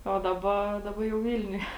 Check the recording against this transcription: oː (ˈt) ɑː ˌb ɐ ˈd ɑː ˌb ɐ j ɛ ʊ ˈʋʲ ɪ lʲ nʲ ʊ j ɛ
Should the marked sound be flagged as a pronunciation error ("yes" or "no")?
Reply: yes